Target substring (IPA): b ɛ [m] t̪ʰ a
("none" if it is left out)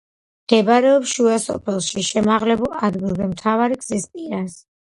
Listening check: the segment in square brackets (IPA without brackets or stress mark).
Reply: m